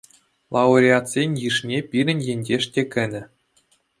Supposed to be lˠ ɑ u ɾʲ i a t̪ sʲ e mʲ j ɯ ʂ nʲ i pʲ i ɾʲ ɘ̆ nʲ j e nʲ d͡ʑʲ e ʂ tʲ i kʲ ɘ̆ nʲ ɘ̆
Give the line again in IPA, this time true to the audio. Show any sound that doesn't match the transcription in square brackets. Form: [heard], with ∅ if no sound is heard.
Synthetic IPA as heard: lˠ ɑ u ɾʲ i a t̪ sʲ e [nʲ] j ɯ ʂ nʲ [e] pʲ i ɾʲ ɘ̆ nʲ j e nʲ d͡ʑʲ e ʂ tʲ [e] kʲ ɘ̆ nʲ ɘ̆